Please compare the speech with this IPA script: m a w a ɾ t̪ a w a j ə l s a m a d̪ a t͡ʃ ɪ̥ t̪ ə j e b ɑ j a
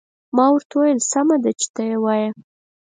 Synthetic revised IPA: m ɑ w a ɾ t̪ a w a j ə l s a m a d̪ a t͡ʃ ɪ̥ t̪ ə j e w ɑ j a